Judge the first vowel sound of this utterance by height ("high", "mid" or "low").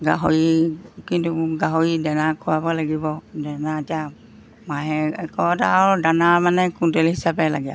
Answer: low